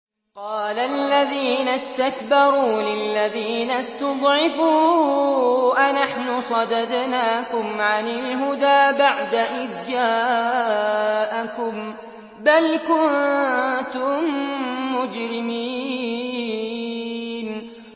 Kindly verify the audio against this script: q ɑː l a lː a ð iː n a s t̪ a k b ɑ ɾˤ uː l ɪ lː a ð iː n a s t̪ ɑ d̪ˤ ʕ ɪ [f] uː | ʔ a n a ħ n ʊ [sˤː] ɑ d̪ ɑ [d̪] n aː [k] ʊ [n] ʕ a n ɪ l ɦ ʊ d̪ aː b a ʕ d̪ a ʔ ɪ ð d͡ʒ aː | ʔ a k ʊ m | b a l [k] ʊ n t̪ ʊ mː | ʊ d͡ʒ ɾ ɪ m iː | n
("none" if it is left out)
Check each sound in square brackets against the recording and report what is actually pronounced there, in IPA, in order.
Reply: f, sˤ, d̪, k, m, k

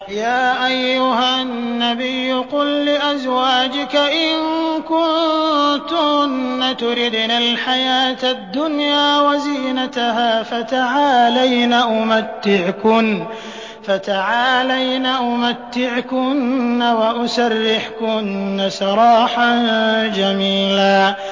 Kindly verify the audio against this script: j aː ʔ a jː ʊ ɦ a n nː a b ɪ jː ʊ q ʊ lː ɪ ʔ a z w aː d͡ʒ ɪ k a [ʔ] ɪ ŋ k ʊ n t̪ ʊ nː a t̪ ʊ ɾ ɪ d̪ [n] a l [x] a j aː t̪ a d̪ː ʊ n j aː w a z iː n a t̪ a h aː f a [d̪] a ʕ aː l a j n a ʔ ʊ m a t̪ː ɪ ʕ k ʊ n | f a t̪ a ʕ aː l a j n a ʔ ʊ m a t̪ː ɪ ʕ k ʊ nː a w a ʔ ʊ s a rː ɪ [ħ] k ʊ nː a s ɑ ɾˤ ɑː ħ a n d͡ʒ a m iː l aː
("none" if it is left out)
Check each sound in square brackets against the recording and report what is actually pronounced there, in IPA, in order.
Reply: ʔ, n, ħ, t̪, ħ

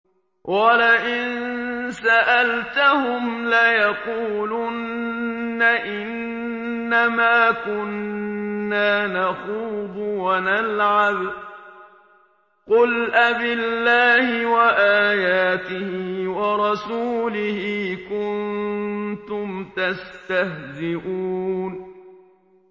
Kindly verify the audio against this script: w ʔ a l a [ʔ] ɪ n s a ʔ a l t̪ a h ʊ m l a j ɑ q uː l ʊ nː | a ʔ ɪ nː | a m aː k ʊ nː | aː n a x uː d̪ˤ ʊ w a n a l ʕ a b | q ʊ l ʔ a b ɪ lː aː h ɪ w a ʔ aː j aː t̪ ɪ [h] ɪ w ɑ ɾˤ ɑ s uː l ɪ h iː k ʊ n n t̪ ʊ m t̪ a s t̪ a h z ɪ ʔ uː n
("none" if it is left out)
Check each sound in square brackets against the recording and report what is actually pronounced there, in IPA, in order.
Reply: ʔ, h

